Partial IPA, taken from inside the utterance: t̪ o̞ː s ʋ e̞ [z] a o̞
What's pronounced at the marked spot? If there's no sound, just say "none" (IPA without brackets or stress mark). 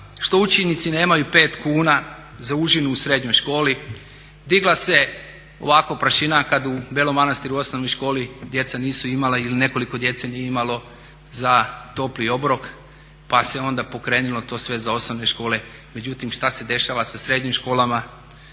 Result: z